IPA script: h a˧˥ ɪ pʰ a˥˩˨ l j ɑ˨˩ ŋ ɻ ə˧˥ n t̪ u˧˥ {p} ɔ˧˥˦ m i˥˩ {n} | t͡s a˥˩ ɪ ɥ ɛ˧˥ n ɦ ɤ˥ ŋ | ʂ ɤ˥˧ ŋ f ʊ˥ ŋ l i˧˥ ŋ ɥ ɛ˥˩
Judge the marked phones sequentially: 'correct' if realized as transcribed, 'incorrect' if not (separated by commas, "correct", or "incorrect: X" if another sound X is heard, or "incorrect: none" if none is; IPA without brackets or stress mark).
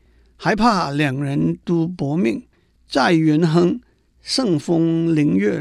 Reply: correct, incorrect: ŋ